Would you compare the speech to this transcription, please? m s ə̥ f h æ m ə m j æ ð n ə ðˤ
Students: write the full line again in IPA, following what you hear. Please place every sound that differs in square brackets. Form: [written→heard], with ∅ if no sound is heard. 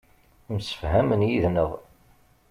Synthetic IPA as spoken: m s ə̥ f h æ m ə [m→n] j [æ→i] ð n ə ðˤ